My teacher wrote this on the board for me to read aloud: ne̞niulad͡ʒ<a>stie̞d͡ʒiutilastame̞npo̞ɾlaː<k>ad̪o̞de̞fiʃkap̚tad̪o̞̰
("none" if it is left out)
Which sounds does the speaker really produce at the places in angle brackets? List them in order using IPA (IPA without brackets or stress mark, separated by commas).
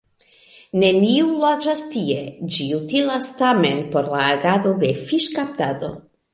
a, ɡ